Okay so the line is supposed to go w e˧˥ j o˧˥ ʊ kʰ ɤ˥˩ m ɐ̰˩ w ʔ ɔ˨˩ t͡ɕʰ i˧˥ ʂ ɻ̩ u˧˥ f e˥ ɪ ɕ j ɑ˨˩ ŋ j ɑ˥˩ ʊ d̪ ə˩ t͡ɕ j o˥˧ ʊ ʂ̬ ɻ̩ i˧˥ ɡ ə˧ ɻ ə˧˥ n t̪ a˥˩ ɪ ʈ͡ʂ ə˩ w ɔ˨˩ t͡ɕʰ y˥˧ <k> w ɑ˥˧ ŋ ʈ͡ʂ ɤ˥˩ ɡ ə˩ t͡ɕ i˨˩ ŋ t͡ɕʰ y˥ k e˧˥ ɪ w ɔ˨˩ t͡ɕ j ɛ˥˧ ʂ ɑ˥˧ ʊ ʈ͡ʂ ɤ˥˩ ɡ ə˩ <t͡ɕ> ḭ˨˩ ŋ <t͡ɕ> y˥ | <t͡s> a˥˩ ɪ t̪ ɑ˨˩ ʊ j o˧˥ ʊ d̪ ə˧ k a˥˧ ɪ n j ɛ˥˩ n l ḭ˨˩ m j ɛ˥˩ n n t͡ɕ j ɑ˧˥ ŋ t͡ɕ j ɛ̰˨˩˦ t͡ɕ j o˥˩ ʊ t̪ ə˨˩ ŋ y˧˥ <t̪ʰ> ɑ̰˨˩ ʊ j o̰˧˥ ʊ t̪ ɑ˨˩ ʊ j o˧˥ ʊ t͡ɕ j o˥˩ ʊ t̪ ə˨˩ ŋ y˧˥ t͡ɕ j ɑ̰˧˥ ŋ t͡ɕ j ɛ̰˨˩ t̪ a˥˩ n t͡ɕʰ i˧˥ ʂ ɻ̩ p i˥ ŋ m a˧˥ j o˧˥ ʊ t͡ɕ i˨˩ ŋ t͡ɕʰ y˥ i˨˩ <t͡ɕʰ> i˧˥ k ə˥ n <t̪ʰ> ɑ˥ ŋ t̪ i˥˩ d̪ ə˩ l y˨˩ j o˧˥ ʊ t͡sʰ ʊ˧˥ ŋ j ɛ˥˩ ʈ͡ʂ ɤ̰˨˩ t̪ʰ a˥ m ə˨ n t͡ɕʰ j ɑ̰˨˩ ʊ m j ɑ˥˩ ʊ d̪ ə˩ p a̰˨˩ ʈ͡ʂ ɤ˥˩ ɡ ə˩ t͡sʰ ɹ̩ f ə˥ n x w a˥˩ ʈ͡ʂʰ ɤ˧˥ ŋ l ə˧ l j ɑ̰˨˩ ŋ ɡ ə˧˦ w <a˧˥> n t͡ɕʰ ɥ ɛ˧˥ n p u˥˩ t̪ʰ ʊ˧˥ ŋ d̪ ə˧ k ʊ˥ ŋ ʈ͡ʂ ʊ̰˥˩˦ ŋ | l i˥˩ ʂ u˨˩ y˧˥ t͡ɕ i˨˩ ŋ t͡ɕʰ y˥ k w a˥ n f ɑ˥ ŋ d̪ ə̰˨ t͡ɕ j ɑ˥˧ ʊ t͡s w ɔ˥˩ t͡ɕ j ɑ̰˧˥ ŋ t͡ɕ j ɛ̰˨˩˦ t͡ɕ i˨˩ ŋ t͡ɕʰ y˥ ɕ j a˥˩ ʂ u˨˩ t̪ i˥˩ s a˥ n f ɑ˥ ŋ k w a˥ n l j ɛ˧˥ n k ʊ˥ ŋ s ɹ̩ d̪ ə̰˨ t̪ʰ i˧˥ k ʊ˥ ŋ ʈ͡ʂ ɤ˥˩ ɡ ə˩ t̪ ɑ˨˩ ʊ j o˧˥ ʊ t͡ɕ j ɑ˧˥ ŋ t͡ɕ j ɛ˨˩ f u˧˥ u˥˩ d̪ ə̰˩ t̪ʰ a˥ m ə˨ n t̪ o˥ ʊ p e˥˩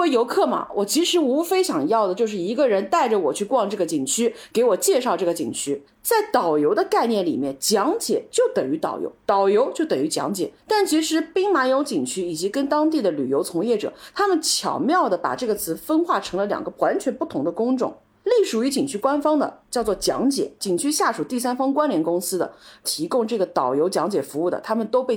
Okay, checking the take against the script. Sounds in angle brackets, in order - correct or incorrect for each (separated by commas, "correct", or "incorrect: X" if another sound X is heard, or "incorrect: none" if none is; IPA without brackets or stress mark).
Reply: correct, correct, incorrect: t͡ɕʰ, correct, incorrect: t̪, incorrect: t͡ɕ, incorrect: t̪, correct